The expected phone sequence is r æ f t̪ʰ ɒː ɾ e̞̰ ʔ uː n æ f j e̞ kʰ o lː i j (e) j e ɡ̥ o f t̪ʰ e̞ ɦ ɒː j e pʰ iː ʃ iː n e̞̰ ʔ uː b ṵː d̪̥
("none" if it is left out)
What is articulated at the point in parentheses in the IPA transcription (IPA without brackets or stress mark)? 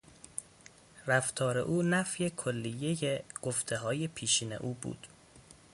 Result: e